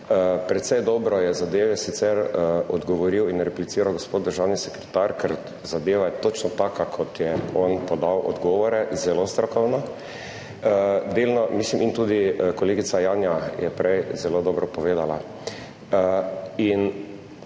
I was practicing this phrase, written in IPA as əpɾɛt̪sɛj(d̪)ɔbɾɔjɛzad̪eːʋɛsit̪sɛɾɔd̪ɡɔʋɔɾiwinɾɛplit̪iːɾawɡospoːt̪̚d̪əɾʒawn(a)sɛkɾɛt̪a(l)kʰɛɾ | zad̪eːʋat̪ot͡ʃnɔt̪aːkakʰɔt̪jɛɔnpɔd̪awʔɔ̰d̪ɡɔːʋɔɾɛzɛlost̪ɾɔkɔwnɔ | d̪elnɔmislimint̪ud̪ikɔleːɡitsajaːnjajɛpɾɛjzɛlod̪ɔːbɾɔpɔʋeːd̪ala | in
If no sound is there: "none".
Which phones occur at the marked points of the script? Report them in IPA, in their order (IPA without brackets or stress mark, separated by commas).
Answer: d̪, i, ɾ